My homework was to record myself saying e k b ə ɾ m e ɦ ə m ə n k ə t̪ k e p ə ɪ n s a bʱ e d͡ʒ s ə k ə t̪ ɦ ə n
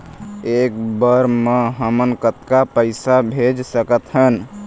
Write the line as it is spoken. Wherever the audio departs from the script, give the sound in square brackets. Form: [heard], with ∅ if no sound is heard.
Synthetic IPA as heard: e k b ə ɾ m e ɦ ə m ə n k ə t̪ k [a] p ə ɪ [∅] s a bʱ e d͡ʒ s ə k ə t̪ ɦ ə n